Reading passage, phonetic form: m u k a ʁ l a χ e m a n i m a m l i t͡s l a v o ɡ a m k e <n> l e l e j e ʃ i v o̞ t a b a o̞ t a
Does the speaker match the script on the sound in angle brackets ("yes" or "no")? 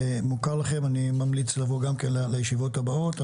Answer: yes